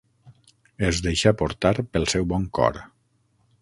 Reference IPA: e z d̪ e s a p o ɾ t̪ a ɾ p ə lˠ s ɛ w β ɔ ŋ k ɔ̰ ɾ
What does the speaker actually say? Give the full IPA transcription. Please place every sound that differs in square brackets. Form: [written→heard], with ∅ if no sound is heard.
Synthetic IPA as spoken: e z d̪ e [s→ʃ] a p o ɾ t̪ a ɾ p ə lˠ s ɛ w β ɔ ŋ k ɔ̰ ɾ

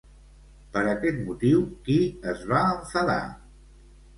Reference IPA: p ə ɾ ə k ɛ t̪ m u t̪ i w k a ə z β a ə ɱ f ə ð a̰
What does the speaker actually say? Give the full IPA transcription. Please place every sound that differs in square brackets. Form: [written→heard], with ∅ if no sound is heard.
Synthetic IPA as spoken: p ə ɾ ə k ɛ t̪ m u t̪ i w k [a→i] ə z β a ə ɱ f ə ð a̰

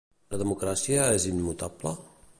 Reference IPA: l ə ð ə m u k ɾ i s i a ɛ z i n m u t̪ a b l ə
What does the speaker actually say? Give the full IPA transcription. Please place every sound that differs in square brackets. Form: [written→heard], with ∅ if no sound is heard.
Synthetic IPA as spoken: l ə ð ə m u k ɾ [i→a] s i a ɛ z i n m u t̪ a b l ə

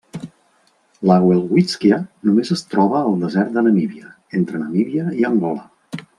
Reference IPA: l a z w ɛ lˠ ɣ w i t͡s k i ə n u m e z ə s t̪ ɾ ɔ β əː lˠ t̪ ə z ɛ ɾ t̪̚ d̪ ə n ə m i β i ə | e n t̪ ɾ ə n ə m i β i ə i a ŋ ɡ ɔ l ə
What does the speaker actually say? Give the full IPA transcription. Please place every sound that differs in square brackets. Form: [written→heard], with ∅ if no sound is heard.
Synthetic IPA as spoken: l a [z→ɣ] w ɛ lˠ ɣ w i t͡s k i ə n u m e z ə s t̪ ɾ ɔ β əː lˠ [t̪→d̪] ə z ɛ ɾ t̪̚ d̪ ə n ə m i β i ə | e n t̪ ɾ ə n ə m i β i ə i [a→ə] ŋ ɡ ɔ l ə

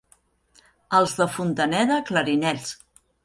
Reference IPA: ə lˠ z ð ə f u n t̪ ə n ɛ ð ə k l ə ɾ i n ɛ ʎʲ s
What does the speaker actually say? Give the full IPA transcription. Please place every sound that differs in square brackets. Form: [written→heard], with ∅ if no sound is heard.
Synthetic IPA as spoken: ə lˠ z ð ə f u n t̪ ə n ɛ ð ə k l ə ɾ i n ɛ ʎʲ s

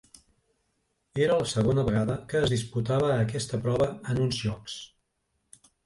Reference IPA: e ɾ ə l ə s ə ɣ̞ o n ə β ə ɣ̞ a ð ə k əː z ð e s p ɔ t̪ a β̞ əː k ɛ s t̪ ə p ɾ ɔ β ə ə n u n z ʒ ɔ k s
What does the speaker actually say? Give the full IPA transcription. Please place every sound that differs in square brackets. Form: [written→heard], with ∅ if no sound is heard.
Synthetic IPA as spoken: e ɾ ə l ə s ə ɣ̞ o n ə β ə ɣ̞ a ð ə k əː z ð [e→i] s p [ɔ→u] t̪ a β̞ əː k ɛ s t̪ ə p ɾ ɔ β ə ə n u n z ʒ ɔ k s

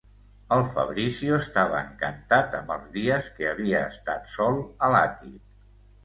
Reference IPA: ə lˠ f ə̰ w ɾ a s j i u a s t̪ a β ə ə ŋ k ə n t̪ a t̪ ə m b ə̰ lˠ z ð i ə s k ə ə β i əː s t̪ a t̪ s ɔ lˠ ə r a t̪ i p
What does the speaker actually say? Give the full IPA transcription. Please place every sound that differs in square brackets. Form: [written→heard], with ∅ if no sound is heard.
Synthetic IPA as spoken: ə lˠ f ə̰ [w→β] ɾ [a→i] s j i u [a→ə] s t̪ a β ə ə ŋ k ə n t̪ a t̪ ə m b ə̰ lˠ z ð i ə s k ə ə β i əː s t̪ a t̪ s ɔ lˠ ə [r→l] a t̪ i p

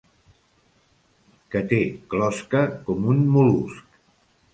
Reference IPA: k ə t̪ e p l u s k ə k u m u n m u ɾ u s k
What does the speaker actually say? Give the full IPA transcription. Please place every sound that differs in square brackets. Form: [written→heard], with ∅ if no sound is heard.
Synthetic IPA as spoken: k ə t̪ e [p→k] l [u→ɔ] s k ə k [u→ɔ] m u n m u [ɾ→l] u s k

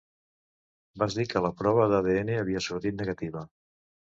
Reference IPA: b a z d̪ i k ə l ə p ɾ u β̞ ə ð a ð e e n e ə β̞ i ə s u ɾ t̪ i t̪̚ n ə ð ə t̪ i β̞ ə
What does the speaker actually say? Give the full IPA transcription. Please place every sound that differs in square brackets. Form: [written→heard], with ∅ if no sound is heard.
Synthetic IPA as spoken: b a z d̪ i k ə l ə p ɾ [u→ɔ] β̞ ə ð a ð e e n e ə β̞ i ə s u ɾ t̪ i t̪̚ n ə [ð→ɣ] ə t̪ i β̞ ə

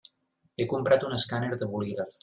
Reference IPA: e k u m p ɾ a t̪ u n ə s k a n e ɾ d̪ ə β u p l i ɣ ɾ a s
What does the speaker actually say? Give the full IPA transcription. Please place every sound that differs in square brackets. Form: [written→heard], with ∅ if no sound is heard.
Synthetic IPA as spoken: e k u m p ɾ a t̪ u n ə s k a n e ɾ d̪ ə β u [p→∅] l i ɣ ɾ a [s→f]

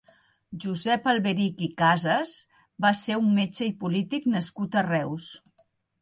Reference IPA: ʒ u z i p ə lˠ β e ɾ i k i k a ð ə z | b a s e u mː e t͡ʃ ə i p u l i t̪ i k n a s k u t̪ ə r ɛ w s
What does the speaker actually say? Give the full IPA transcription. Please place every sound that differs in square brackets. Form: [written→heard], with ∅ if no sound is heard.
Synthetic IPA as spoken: ʒ u z [i→ɛ] p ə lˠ β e ɾ i k i k a [ð→z] ə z | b a s e u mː e t͡ʃ ə i p u l i t̪ i k n [a→ə] s k u t̪ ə r ɛ w s

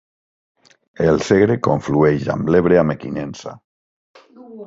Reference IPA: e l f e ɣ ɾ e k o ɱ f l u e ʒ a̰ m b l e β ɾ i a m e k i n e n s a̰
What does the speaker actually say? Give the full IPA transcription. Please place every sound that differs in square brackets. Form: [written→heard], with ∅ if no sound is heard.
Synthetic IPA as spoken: e l [f→s] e ɣ ɾ e k o ɱ f l u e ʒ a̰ m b l e β ɾ [i→e] a m e k i n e n s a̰

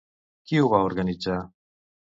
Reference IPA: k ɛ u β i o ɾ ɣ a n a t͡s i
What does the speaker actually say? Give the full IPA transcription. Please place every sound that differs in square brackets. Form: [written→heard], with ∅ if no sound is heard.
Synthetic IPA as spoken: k [ɛ→i] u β [i→a] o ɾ ɣ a n [a→i] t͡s [i→a]

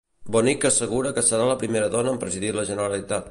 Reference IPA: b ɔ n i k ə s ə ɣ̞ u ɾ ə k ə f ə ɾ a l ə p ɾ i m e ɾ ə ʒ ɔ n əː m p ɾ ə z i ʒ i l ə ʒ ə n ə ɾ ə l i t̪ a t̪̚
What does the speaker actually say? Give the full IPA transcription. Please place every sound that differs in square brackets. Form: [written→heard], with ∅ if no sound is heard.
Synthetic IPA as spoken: b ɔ n i k ə s ə ɣ̞ u ɾ ə k ə [f→s] ə ɾ a l ə p ɾ i m e ɾ ə [ʒ→ð] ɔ n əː m p ɾ ə z i [ʒ→ð] i l ə ʒ ə n ə ɾ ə l i t̪ a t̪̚

